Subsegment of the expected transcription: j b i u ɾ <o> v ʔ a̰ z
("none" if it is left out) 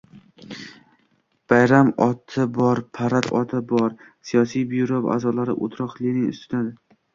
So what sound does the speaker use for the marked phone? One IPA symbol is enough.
o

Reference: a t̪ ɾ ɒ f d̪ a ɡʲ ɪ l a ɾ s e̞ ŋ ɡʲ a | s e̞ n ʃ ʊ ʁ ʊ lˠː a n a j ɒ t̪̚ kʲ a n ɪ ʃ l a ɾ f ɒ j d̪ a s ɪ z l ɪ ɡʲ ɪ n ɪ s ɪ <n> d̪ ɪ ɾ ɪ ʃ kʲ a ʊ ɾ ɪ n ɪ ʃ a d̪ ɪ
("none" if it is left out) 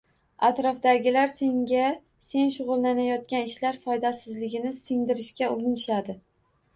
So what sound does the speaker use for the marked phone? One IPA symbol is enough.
ŋ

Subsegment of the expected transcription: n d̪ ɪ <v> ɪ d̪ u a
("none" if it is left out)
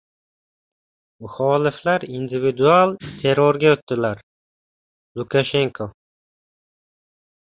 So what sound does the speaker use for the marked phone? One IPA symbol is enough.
v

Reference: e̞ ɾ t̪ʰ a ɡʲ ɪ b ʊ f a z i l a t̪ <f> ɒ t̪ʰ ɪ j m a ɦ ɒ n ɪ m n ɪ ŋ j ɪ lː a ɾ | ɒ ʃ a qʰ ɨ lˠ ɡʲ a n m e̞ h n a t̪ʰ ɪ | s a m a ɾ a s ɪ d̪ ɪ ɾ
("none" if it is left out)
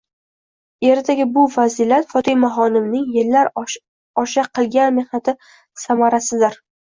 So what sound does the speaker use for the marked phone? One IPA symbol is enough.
f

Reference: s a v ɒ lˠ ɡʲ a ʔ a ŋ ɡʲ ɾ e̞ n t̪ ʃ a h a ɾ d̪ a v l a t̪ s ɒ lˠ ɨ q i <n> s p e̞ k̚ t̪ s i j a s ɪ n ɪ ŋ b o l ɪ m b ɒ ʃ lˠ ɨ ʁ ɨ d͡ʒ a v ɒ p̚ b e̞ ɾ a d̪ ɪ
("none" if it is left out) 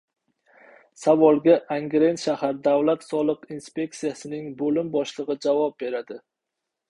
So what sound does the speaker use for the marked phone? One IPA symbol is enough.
n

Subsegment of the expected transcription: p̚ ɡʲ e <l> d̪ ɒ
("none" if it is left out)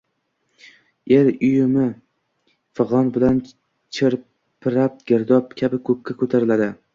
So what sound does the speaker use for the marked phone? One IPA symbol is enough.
ɾ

